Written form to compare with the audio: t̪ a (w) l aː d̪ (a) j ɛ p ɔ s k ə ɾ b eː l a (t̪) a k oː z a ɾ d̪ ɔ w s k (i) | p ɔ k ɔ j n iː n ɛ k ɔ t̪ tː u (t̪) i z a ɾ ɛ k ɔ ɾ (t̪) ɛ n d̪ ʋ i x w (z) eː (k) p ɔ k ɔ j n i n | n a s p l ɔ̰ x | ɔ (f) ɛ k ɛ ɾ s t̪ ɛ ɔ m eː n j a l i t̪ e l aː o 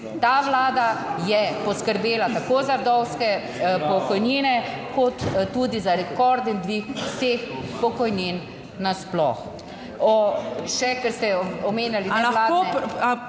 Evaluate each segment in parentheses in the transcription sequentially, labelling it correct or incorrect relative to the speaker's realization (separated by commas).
incorrect, correct, correct, incorrect, incorrect, incorrect, incorrect, incorrect, incorrect